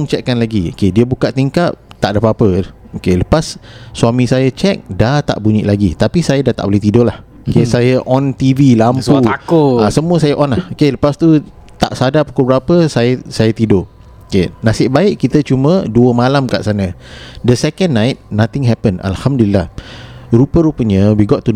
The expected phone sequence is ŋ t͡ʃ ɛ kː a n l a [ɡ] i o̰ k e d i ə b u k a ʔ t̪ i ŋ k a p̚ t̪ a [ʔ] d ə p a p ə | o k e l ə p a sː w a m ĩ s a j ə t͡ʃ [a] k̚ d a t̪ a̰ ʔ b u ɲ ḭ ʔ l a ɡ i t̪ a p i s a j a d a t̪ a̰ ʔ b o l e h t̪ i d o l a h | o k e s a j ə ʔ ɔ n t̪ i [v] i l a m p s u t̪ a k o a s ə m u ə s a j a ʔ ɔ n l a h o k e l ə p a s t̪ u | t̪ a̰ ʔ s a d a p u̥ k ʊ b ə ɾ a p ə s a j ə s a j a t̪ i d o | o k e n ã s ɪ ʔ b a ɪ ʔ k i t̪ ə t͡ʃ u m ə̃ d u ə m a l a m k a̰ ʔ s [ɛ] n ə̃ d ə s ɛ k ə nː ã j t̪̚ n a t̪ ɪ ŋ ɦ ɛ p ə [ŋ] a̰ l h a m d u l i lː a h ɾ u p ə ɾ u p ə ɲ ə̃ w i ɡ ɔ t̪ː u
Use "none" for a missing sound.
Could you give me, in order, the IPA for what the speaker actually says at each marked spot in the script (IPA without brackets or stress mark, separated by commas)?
ɡ, ʔ, ɛ, v, a, n